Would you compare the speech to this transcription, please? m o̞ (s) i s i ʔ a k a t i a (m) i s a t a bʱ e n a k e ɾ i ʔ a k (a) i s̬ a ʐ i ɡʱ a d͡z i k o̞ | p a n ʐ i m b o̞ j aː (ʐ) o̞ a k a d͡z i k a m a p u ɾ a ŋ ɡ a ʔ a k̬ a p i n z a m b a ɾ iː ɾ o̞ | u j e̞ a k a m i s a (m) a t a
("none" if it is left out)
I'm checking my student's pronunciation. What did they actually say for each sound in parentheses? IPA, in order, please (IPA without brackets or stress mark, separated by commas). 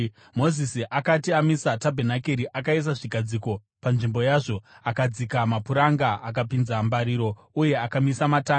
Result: z, m, a, ʐ, m